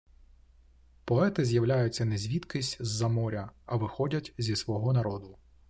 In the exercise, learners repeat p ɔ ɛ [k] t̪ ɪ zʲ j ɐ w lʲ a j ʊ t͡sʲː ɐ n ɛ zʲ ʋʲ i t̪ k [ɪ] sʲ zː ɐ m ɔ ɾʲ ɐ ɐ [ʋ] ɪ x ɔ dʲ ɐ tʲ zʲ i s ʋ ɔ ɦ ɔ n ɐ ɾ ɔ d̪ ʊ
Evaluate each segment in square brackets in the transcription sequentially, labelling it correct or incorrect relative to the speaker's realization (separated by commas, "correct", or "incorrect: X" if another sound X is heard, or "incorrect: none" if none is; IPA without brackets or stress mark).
incorrect: none, correct, correct